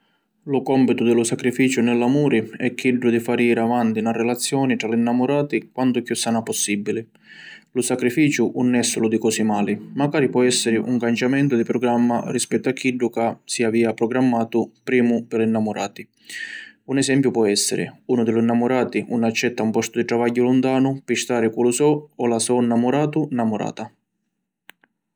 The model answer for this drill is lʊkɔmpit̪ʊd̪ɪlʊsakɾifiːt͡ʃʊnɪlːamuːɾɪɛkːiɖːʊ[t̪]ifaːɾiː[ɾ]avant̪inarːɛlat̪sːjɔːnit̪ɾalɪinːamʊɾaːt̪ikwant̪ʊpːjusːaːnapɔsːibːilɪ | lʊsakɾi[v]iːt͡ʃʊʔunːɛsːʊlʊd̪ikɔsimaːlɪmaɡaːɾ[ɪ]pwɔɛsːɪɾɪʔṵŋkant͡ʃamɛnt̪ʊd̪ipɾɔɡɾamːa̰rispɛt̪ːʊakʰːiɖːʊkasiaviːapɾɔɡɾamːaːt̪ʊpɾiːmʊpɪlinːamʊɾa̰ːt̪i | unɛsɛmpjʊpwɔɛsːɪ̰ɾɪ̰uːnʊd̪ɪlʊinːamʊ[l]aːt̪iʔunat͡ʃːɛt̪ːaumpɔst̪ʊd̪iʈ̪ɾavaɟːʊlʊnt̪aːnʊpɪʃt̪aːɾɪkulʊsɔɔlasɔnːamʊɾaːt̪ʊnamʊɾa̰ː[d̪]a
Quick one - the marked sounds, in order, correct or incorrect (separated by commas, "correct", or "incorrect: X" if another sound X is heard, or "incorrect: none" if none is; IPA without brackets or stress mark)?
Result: incorrect: d̪, correct, incorrect: f, incorrect: i, incorrect: ɾ, incorrect: t̪